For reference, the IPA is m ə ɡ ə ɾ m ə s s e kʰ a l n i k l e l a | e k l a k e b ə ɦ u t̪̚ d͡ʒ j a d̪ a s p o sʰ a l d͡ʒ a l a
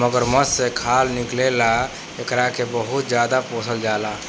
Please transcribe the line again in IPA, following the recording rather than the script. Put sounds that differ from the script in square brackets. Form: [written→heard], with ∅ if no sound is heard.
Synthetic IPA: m ə ɡ ə ɾ m ə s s e kʰ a l n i k l e l a | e k [l→ɾ] a k e b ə ɦ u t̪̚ d͡ʒ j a d̪ a [s→∅] p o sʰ [a→ə] l d͡ʒ a l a

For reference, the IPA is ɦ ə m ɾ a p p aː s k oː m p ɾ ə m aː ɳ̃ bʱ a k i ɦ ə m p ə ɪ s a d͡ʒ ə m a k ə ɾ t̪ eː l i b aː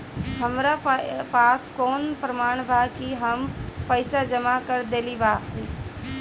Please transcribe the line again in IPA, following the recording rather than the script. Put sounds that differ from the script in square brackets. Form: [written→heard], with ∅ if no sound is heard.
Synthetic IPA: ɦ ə m ɾ a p p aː s k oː [m→n] p ɾ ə m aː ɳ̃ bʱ a k i ɦ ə m p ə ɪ s a d͡ʒ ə m a k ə ɾ [t̪→d̪] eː l i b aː

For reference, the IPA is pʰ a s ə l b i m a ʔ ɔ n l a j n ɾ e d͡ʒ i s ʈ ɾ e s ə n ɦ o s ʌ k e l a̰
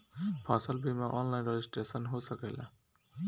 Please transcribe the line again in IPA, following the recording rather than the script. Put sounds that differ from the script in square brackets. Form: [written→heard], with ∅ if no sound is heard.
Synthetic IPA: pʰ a s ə l b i m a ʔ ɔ n l a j n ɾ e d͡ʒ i s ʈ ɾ e s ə n ɦ o s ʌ k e l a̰

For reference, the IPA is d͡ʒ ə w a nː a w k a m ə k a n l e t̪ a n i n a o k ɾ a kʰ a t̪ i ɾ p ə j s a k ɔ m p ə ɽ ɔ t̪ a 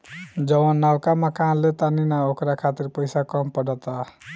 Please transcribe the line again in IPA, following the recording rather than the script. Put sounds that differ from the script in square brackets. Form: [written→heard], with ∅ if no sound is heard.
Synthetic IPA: d͡ʒ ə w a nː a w k a m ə k a n l e t̪ a n i n a o k ɾ a kʰ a t̪ i ɾ p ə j s a k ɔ m p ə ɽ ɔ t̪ a

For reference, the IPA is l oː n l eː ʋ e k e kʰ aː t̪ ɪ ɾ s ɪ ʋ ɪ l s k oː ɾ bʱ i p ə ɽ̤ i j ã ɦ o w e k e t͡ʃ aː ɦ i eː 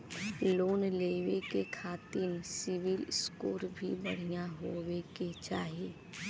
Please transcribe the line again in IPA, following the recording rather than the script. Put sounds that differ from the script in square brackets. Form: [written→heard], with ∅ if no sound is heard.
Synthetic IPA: l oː n l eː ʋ e k e kʰ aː t̪ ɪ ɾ s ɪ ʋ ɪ l s k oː ɾ bʱ i [p→b] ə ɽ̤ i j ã ɦ o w e k e t͡ʃ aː ɦ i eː

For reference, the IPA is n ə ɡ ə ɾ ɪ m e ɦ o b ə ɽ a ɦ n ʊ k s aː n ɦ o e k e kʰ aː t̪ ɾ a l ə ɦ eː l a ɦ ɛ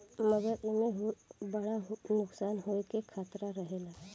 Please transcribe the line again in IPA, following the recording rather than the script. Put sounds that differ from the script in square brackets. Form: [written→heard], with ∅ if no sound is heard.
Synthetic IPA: [n→m] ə ɡ ə ɾ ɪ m e ɦ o b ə ɽ a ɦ n ʊ k s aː n ɦ o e k e kʰ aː t̪ ɾ a [l→ɾ] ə ɦ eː l a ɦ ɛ

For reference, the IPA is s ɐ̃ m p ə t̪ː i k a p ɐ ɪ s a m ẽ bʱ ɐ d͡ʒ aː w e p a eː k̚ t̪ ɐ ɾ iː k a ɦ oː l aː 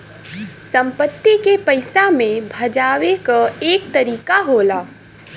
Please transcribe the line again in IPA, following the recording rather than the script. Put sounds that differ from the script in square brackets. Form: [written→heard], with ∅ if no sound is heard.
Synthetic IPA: s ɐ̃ m p ə t̪ː i k [a→e] p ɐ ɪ s a m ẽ bʱ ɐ d͡ʒ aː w e [p→k] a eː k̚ t̪ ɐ ɾ iː k a ɦ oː l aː

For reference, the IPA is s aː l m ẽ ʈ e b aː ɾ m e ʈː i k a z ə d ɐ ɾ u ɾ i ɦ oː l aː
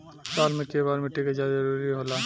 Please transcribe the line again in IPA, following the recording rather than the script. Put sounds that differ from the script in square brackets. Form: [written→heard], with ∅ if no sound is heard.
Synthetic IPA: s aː l m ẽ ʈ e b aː ɾ m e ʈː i k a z [ə→a] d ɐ ɾ u ɾ i ɦ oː l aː

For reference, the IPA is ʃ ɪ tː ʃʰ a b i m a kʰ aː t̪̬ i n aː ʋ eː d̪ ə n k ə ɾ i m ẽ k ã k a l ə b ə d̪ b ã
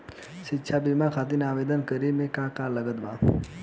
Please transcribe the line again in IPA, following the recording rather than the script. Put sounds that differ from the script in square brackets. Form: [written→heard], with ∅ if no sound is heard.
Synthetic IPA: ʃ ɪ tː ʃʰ a b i m a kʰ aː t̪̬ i n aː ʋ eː d̪ ə n k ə ɾ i m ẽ k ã k a l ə [b→ɡ] ə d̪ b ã

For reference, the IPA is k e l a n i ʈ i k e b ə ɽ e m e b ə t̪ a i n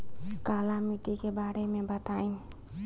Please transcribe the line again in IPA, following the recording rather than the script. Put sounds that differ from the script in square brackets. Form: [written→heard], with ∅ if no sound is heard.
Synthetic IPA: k [e→a] l a [n→m] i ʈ i k e b [ə→a] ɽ e m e b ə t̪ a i n

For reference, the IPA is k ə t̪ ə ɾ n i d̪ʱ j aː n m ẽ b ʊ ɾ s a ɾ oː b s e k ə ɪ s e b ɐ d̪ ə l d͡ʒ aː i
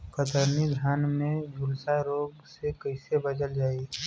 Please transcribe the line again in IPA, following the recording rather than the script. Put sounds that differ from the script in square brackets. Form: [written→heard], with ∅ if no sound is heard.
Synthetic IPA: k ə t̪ ə ɾ n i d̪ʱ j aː n m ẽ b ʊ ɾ s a ɾ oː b s e k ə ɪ s e b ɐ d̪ ə l d͡ʒ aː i

